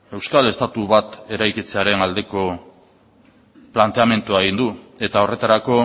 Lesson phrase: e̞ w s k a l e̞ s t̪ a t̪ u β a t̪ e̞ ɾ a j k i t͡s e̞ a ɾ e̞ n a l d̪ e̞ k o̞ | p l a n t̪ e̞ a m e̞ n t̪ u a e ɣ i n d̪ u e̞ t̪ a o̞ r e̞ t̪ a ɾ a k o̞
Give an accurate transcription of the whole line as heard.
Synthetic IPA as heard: e̞ w s k a l e̞ s t̪ a t̪ u β a t̪ e̞ ɾ a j k i t͡s e̞ a ɾ e̞ n a l d̪ e̞ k o̞ | p l a n t̪ e̞ a m e̞ n t̪ u a e ɣ i n d̪ u e̞ t̪ a o̞ r e̞ t̪ a ɾ a k o̞